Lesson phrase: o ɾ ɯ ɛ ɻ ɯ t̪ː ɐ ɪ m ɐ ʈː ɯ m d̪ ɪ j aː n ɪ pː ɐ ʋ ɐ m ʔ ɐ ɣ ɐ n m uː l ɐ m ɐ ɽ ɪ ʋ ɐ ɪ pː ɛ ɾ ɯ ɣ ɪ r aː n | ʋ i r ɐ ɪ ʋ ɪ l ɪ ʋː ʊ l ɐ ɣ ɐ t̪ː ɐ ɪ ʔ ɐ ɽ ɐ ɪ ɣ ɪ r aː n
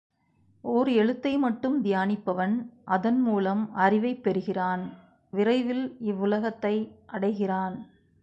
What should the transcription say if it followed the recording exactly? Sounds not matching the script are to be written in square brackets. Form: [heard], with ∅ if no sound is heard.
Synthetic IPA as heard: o ɾ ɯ ɛ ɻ ɯ t̪ː ɐ ɪ m ɐ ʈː ɯ m d̪ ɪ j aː n ɪ pː ɐ ʋ ɐ [n] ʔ ɐ [ð] ɐ n m uː l ɐ m ɐ [r] ɪ ʋ ɐ ɪ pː ɛ ɾ ɯ ɣ ɪ r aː n | ʋ [ɪ] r ɐ ɪ ʋ ɪ l ɪ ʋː ʊ l ɐ ɣ ɐ t̪ː ɐ ɪ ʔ ɐ ɽ ɐ ɪ ɣ ɪ r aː n